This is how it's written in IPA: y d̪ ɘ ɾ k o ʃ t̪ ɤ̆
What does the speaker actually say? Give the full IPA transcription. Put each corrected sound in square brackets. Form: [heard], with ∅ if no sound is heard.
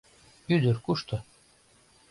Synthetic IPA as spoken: y d̪ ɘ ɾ k [u] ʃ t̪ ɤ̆